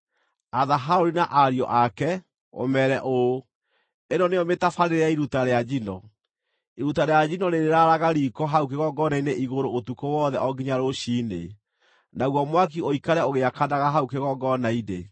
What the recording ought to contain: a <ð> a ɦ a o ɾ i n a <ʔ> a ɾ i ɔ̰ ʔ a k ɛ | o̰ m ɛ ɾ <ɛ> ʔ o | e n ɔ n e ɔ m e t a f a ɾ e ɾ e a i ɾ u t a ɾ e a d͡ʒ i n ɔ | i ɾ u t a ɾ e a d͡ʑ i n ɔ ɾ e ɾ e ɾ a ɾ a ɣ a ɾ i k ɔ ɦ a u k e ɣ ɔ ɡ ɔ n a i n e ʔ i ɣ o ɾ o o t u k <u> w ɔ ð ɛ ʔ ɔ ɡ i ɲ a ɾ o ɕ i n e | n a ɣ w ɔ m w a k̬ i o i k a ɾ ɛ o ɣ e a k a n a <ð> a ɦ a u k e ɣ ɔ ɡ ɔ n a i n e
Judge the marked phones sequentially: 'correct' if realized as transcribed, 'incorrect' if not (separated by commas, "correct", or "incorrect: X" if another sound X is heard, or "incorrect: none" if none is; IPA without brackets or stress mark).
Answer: correct, correct, correct, incorrect: o, incorrect: ɣ